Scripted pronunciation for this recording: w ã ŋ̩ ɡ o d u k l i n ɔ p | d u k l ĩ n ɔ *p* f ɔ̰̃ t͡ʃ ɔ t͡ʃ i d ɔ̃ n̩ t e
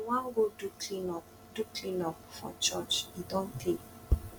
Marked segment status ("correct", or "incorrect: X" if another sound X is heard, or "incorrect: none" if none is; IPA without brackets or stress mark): correct